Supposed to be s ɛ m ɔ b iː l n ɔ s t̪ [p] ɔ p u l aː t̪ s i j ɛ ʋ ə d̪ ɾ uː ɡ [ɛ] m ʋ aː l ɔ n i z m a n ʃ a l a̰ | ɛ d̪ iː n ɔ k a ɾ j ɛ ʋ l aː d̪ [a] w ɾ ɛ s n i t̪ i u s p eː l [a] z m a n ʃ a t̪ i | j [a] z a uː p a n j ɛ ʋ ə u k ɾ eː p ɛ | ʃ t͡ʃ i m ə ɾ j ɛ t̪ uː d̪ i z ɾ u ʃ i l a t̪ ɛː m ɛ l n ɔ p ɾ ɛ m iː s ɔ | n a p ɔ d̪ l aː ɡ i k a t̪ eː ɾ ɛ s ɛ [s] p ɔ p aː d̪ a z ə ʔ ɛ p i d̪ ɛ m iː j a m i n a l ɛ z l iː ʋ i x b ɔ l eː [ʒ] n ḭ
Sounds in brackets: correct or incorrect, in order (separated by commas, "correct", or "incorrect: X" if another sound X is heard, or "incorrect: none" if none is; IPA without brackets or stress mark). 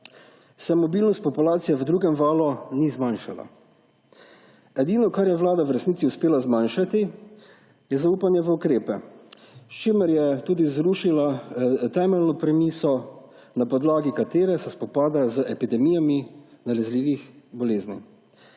correct, correct, correct, correct, incorrect: ɛ, correct, incorrect: z